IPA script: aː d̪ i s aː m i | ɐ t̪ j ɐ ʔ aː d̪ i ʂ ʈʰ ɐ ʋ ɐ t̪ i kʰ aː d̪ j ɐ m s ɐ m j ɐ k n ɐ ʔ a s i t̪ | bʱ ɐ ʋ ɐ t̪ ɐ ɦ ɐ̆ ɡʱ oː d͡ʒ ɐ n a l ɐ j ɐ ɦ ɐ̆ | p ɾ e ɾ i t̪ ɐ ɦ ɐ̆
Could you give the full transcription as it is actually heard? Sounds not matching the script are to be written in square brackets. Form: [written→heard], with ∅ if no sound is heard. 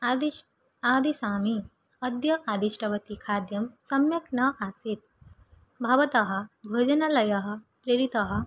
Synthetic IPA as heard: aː d̪ i s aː m i | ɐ [t̪→d̪] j ɐ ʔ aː d̪ i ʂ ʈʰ ɐ ʋ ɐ t̪ i kʰ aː d̪ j ɐ m s ɐ m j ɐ k n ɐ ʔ a s i t̪ | bʱ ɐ ʋ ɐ t̪ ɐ ɦ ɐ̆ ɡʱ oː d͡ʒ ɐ n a l ɐ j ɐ ɦ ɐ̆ | p ɾ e ɾ i t̪ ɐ ɦ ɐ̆